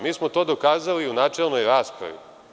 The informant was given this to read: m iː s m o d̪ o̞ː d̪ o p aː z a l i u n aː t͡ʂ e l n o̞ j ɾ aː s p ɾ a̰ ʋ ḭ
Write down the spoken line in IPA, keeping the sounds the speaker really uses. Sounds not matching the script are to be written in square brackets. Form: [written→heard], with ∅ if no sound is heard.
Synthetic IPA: m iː s m o [d̪→t̪] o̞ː d̪ o [p→k] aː z a l i u n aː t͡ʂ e l n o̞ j ɾ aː s p ɾ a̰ ʋ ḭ